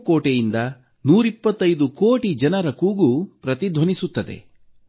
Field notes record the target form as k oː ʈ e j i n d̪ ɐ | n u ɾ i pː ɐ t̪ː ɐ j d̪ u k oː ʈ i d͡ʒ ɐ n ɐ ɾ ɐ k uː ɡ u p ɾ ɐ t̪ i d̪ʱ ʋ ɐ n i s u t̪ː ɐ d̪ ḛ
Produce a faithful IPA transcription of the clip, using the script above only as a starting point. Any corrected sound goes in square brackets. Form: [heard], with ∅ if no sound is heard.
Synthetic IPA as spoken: k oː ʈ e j i n d̪ ɐ | n [uː] ɾ i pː ɐ t̪ː ɐ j d̪ u k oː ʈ i d͡ʒ ɐ n ɐ ɾ ɐ k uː ɡ u p ɾ ɐ t̪ i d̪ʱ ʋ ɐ n i s u t̪ː ɐ d̪ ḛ

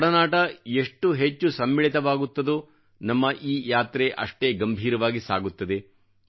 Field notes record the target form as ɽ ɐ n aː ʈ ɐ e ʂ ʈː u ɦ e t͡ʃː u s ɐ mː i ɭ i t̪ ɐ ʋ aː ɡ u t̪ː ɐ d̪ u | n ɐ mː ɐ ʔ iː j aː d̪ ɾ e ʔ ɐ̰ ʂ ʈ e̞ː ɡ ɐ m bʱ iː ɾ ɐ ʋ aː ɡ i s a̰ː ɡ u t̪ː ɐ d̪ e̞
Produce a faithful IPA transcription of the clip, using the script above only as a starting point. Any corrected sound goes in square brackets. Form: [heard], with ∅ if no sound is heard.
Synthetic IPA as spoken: ɽ ɐ n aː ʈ ɐ e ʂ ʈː u ɦ e t͡ʃː u s ɐ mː i ɭ i t̪ ɐ ʋ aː ɡ u t̪ː ɐ d̪ u | n ɐ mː ɐ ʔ iː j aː [t̪] ɾ e ʔ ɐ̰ ʂ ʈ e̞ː ɡ ɐ m bʱ iː ɾ ɐ ʋ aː ɡ i s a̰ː ɡ u t̪ː ɐ d̪ e̞

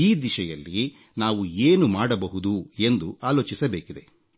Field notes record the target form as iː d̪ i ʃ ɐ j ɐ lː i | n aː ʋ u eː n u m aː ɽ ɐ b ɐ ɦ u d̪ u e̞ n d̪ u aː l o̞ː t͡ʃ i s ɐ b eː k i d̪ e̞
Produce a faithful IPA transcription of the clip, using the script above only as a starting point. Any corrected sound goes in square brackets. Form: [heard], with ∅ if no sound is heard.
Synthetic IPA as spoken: iː d̪ i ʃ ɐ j ɐ lː i | n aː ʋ u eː n u m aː ɽ ɐ b ɐ ɦ u d̪ u e̞ n d̪ u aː l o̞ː t͡ʃ i s ɐ b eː k i d̪ e̞

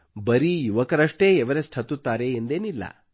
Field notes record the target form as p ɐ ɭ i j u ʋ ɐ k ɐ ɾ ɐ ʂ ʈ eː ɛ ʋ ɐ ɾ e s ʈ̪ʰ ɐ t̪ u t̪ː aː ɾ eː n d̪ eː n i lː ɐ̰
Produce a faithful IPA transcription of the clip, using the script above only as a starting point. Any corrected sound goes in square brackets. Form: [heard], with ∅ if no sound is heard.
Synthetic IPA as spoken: [b] ɐ [ɾ] i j u ʋ ɐ k ɐ ɾ ɐ ʂ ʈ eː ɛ ʋ ɐ ɾ e s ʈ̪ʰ ɐ t̪ u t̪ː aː ɾ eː n d̪ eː n i lː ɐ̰

